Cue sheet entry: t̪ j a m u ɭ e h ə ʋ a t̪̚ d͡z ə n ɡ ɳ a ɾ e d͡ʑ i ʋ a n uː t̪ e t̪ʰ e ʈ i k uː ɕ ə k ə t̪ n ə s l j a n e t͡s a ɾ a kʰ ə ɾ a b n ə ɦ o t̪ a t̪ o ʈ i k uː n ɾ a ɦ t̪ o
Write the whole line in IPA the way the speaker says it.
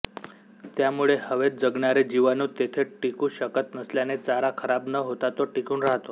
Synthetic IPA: t̪ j a m u ɭ e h ə ʋ e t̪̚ d͡z ə ɡ ɳ a ɾ e d͡ʑ i ʋ a n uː t̪ e t̪ʰ e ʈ i k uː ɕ ə k ə t̪ n ə s l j a n e t͡s a ɾ a kʰ ə ɾ a b n ə ɦ o t̪ a t̪ o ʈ i k uː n ɾ a ɦ t̪ o